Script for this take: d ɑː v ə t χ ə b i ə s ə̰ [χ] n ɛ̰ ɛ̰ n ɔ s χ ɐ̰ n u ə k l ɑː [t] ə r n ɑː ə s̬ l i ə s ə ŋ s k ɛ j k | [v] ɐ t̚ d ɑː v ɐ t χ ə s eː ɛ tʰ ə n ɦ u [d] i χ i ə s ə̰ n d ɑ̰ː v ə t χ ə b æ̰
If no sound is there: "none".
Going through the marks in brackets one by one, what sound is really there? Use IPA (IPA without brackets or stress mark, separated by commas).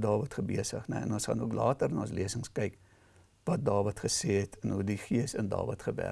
χ, t, v, d